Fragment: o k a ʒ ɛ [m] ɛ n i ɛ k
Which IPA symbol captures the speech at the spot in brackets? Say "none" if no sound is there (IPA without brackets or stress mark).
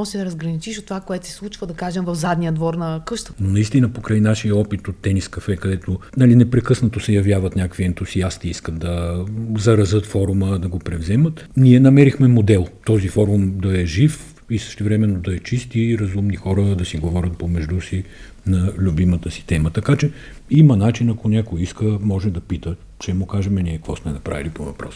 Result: m